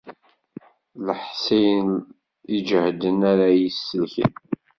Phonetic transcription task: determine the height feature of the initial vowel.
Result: mid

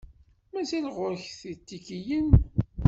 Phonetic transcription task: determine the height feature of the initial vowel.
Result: low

